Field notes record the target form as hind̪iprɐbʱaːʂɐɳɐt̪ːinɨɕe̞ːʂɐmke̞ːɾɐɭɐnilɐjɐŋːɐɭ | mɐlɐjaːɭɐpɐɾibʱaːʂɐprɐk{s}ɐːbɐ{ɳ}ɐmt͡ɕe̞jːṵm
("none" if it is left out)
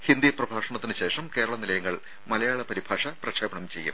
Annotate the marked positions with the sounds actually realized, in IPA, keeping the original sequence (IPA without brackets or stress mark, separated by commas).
ʂ, ɳ